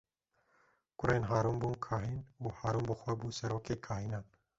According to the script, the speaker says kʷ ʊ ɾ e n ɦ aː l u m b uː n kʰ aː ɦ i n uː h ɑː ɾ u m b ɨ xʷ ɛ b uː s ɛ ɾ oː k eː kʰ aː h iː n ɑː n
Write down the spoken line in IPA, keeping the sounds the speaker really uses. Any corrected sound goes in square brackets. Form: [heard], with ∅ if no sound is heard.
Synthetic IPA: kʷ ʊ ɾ e n ɦ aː [ɾ] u m b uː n kʰ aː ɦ i n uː h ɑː ɾ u m b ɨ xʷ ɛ b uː s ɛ ɾ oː k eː kʰ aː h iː n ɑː n